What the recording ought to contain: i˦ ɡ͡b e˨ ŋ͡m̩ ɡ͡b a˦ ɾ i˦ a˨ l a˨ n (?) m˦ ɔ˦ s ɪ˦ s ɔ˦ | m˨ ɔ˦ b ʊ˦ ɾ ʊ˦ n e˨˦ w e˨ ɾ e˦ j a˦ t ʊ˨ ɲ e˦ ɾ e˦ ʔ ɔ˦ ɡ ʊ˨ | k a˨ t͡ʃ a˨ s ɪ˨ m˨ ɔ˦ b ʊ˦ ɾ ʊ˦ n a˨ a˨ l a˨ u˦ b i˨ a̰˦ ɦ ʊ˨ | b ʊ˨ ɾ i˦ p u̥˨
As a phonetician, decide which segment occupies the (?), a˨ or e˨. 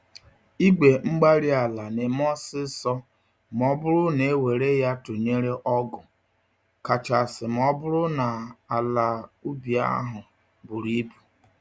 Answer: e˨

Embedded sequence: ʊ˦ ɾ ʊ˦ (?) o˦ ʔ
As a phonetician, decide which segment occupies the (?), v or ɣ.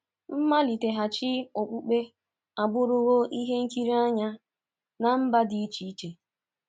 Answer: ɣ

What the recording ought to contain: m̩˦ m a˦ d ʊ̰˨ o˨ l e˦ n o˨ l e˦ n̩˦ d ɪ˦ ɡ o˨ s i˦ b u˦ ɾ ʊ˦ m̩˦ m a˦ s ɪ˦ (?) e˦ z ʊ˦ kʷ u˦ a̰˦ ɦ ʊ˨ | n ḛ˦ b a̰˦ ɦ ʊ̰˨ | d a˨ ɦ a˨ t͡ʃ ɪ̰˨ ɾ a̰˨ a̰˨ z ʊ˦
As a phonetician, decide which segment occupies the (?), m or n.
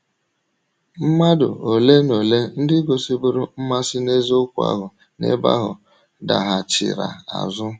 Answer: n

